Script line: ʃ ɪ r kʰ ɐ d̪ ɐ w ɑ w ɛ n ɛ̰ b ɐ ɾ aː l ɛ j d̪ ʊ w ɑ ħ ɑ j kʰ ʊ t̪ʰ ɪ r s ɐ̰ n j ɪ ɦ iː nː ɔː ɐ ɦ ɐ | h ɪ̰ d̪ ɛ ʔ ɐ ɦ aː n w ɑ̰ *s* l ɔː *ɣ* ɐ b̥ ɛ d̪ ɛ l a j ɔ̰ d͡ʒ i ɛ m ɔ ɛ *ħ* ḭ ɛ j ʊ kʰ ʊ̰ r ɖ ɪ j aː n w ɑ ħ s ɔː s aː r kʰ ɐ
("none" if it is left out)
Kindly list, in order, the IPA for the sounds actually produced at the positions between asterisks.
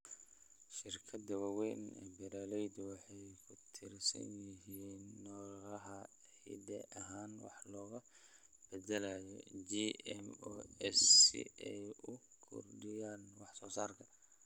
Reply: ħ, ɣ, s

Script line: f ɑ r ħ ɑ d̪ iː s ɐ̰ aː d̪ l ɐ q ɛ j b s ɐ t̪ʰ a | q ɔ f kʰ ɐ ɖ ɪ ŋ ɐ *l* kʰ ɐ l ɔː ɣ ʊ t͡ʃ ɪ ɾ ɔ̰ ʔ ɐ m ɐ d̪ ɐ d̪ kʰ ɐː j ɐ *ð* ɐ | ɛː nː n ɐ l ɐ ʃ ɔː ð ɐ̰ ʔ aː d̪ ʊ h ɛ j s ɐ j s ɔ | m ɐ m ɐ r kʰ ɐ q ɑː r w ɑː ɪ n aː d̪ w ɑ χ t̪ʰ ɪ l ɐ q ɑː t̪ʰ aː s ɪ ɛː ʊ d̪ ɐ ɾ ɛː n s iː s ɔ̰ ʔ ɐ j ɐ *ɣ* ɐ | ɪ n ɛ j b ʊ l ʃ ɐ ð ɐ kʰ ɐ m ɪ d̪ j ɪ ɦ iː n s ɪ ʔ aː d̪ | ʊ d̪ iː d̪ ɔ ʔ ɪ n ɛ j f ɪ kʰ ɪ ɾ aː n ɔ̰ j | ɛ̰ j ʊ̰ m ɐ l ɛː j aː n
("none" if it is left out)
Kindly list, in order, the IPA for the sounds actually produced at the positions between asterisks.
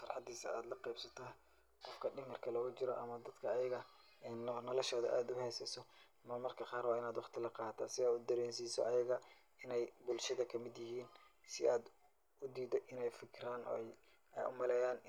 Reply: r, ɣ, ɣ

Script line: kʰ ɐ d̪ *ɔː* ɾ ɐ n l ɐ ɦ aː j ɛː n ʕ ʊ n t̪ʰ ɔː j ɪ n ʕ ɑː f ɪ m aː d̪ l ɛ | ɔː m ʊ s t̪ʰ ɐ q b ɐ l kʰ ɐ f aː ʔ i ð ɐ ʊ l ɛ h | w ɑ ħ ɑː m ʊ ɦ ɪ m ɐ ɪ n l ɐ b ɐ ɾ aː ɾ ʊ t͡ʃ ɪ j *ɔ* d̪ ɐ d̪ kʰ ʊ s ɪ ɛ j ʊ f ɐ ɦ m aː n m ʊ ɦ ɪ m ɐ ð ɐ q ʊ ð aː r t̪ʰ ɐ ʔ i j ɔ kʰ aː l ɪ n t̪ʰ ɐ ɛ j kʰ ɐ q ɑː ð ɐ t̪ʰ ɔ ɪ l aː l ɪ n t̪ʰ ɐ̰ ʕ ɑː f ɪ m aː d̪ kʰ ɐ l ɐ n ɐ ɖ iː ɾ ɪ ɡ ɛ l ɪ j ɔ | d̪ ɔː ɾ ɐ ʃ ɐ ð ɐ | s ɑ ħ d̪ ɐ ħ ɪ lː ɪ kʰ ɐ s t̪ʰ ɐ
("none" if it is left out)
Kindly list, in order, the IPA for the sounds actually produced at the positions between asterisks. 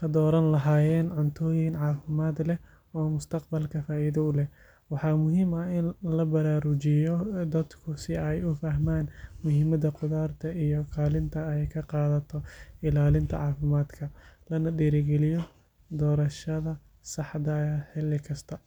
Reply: ɔː, ɔ

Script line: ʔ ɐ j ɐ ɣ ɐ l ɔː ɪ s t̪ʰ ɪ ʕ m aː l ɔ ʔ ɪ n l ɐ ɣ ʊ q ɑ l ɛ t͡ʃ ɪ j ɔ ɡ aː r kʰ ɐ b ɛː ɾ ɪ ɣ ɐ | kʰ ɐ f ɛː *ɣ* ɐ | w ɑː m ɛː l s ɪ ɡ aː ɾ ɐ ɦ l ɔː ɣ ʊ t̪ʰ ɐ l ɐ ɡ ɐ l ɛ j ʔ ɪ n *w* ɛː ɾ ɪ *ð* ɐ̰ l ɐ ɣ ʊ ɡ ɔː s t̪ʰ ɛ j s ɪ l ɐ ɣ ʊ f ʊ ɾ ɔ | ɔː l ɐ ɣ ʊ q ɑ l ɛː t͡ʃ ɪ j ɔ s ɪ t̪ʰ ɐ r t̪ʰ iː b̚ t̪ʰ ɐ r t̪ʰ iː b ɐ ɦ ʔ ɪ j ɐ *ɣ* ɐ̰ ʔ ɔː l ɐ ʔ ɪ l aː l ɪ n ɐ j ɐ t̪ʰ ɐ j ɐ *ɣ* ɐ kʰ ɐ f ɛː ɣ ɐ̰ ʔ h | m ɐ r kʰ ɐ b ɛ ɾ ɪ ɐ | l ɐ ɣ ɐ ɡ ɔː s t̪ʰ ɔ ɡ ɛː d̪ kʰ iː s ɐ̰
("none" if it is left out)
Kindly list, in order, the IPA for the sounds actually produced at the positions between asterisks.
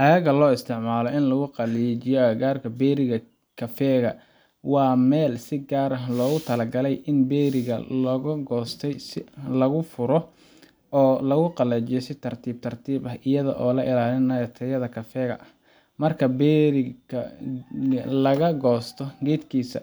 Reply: ɣ, b, ɣ, ð, ð

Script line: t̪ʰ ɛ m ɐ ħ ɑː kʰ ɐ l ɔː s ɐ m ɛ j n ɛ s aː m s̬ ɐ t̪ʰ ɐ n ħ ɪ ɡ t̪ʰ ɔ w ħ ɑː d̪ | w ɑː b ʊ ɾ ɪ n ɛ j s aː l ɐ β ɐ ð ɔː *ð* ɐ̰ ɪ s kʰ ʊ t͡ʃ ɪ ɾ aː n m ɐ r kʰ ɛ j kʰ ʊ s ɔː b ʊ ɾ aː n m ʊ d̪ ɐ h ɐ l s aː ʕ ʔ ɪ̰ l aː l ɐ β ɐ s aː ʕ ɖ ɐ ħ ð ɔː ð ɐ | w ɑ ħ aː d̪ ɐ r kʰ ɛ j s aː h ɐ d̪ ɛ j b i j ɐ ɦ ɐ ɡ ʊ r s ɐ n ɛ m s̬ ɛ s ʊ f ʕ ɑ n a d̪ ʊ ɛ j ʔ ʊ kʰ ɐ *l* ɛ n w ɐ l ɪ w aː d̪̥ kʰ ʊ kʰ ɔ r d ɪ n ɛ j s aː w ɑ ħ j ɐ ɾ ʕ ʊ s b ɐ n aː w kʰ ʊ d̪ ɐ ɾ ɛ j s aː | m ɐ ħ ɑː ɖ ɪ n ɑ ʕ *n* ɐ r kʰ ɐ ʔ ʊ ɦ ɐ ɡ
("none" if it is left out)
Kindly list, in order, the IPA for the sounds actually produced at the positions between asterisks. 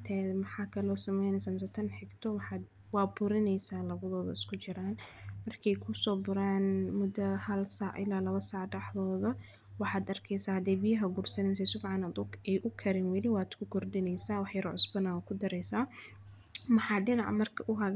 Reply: ð, ɾ, m

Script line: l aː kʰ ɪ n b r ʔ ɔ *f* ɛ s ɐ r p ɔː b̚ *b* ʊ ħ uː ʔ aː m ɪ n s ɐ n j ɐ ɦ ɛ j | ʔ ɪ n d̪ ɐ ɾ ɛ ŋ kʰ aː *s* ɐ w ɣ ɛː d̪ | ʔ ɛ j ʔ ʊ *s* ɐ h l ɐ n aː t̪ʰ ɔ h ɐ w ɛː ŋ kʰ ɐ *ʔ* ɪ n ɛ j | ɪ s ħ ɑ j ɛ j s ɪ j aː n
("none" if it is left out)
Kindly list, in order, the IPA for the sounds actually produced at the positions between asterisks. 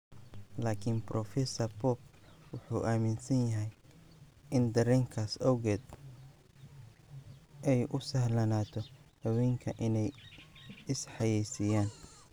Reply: f, w, s, s, ʔ

